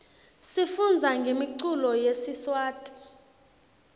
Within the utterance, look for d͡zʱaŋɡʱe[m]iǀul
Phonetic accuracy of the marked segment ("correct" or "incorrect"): correct